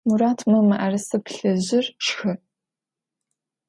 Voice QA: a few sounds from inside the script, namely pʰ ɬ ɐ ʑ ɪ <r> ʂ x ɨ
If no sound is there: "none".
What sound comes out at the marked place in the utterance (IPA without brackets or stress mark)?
r